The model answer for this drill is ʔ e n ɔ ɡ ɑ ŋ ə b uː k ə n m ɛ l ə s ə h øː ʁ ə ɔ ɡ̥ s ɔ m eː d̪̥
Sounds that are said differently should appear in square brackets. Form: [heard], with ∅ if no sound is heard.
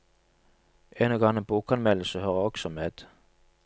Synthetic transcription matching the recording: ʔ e n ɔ ɡ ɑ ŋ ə b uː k [ɑ] n m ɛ l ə s ə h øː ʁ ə ɔ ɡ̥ s ɔ m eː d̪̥